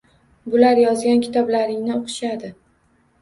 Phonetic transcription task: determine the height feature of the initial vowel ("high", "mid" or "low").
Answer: high